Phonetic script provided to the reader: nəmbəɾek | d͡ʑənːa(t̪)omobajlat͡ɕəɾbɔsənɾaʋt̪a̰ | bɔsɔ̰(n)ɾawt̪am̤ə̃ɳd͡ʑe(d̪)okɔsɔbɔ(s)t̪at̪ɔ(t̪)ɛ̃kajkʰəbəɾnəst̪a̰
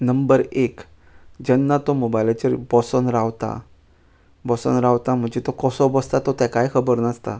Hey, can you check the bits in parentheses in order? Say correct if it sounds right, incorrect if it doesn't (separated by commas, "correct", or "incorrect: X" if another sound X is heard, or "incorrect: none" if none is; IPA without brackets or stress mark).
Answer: correct, correct, incorrect: t̪, correct, correct